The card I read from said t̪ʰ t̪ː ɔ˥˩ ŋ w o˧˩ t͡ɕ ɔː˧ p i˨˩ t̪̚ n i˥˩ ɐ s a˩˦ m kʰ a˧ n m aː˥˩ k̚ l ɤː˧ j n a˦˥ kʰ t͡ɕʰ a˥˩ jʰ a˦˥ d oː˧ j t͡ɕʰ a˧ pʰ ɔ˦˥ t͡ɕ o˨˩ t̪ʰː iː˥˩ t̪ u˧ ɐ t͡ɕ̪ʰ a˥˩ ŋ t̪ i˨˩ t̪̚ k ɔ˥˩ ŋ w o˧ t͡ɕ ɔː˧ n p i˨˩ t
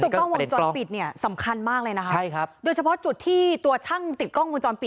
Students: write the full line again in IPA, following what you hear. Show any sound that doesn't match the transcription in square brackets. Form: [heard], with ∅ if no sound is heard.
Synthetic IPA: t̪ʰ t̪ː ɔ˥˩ ŋ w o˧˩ t͡ɕ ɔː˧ p i˨˩ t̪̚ n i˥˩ ɐ s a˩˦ m kʰ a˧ n m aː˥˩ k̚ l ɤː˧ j n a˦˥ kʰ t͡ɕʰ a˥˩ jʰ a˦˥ d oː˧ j t͡ɕʰ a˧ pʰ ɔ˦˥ t͡ɕ [u˨˩] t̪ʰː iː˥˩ t̪ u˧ ɐ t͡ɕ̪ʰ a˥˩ ŋ t̪ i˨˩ t̪̚ k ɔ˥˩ ŋ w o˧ t͡ɕ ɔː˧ n p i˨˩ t